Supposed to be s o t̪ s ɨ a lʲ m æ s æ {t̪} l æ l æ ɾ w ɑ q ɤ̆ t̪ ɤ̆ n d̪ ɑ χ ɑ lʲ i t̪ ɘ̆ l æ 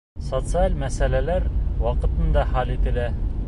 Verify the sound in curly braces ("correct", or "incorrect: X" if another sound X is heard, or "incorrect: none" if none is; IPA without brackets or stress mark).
incorrect: none